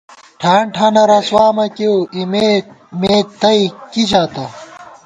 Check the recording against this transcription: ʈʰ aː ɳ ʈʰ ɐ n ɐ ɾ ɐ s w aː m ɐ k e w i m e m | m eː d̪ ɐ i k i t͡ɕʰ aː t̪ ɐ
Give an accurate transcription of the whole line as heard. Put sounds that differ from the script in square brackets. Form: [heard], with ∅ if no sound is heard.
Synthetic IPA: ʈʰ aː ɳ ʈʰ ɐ n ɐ ɾ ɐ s w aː m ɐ k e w i m e [∅] | m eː [t̪] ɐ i k i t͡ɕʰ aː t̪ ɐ